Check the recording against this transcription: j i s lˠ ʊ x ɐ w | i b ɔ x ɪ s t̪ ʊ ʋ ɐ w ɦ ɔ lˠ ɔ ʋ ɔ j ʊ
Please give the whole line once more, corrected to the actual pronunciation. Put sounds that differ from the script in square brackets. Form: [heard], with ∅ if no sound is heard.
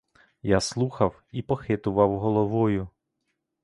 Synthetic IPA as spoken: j [a] s lˠ [u] x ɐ w | i [p] ɔ x ɪ [∅] t̪ ʊ ʋ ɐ w ɦ ɔ lˠ ɔ ʋ ɔ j ʊ